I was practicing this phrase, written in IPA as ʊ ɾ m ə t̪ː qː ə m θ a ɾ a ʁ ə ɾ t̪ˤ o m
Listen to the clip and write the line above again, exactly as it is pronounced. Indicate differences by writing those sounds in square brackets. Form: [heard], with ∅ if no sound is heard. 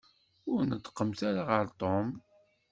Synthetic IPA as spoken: ʊ ɾ [n] ə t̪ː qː ə m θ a ɾ a ʁ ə ɾ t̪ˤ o m